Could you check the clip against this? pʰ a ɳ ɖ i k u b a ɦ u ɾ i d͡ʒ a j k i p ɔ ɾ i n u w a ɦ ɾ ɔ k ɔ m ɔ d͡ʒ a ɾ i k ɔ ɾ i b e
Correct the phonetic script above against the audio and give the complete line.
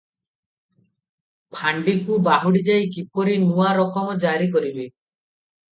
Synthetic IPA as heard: pʰ a ɳ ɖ i k u b a ɦ u ɽ i d͡ʒ a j k i p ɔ ɾ i n u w a ɾ ɔ k ɔ m ɔ d͡ʒ a ɾ i k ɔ ɾ i b e